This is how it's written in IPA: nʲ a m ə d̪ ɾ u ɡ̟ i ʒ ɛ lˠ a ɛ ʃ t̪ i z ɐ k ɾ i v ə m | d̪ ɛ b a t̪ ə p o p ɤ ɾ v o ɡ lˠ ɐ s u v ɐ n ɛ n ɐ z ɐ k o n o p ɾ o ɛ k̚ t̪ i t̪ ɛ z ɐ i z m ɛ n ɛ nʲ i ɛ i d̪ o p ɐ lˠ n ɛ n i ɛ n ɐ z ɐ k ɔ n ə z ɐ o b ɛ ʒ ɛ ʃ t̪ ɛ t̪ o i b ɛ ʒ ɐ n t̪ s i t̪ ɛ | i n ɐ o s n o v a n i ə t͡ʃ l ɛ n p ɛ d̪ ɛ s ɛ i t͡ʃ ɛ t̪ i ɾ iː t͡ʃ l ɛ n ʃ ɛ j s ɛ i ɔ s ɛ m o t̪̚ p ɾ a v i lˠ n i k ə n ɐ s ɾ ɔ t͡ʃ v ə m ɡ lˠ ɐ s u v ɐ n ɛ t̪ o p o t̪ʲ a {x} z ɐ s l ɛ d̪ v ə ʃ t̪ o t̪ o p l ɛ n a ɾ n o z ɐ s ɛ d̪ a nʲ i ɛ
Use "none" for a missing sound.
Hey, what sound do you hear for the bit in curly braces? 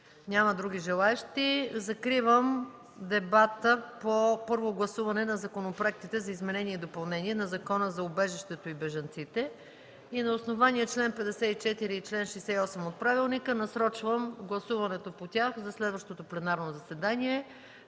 x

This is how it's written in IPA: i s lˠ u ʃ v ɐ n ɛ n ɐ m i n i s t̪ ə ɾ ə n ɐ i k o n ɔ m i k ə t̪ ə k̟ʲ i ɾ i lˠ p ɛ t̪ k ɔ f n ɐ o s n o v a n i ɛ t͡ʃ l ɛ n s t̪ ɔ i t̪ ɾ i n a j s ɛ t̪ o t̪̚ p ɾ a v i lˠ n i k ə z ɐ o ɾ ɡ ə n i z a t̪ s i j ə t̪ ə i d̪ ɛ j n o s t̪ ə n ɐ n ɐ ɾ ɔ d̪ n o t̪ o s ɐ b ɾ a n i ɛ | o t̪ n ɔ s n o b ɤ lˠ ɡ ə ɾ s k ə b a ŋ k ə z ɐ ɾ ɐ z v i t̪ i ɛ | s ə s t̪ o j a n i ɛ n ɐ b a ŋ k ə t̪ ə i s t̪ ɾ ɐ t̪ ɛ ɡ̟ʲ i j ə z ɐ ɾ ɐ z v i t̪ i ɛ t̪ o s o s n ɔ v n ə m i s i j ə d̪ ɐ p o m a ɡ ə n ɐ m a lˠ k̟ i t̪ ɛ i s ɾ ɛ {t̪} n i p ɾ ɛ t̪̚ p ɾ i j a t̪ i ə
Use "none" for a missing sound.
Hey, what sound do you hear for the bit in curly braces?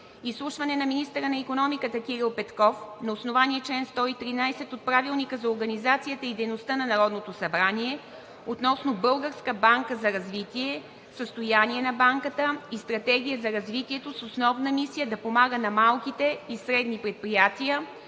d̪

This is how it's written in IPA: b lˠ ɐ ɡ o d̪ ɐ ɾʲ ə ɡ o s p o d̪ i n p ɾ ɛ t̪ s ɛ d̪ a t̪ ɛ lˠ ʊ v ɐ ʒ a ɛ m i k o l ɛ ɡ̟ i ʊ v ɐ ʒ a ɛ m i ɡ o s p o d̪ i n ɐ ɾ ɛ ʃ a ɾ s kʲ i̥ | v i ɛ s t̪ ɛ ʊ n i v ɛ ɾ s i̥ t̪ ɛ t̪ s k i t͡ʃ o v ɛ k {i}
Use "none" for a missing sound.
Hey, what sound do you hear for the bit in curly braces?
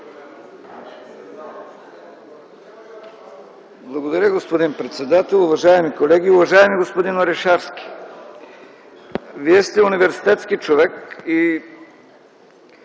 i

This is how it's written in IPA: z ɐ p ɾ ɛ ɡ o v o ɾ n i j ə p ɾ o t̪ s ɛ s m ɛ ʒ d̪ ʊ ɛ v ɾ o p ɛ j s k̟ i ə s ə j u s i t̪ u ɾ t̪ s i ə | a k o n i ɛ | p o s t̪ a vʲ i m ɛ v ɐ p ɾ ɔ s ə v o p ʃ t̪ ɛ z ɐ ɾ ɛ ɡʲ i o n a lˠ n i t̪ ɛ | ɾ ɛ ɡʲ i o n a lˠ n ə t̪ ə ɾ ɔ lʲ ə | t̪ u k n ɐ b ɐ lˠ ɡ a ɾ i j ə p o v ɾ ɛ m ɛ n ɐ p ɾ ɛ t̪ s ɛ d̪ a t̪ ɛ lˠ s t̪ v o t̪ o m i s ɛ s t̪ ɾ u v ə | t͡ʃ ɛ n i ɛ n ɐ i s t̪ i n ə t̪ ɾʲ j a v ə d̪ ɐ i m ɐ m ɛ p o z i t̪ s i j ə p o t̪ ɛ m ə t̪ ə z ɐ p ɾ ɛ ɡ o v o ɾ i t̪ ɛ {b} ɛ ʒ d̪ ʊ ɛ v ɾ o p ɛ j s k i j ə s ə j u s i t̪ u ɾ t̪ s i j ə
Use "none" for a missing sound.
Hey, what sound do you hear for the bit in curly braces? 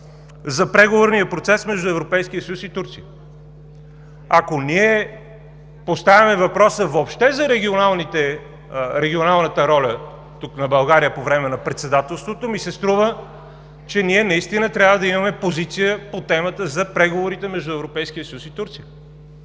m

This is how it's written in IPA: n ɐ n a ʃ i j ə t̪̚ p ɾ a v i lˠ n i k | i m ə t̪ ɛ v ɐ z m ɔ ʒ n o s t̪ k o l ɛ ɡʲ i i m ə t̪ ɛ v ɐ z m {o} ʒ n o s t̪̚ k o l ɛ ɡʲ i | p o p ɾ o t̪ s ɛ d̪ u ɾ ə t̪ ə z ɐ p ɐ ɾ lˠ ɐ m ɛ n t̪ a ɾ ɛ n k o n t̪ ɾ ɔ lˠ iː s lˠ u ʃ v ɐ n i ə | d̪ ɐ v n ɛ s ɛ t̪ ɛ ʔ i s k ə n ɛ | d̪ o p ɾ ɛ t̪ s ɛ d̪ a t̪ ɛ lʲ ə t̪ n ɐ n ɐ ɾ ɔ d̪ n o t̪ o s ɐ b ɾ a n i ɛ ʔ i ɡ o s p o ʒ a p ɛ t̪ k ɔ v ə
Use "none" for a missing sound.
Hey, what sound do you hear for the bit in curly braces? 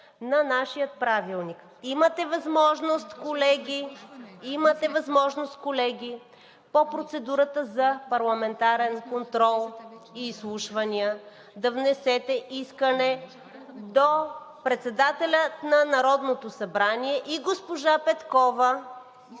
ɔ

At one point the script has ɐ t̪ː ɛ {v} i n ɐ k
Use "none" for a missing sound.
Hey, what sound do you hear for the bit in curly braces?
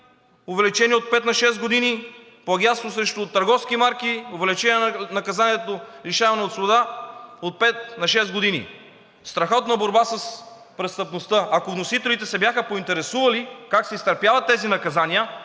z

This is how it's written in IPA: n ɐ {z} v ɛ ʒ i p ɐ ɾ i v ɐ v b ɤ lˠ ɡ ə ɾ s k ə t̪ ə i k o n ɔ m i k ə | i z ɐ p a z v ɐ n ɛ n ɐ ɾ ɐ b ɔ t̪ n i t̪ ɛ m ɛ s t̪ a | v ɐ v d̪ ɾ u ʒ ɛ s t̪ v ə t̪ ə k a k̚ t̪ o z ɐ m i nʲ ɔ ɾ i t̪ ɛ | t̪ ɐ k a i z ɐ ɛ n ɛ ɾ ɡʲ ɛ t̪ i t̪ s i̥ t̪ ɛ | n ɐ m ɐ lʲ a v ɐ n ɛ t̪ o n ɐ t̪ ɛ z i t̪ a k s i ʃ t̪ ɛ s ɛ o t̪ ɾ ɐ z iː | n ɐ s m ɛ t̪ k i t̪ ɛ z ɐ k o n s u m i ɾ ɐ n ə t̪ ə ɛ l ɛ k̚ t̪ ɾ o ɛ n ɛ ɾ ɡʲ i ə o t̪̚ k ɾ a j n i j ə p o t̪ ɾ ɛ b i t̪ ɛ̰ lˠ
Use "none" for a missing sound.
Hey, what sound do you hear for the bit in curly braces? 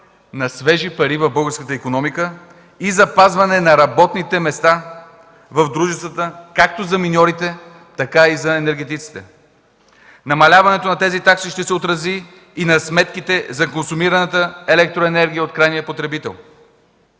s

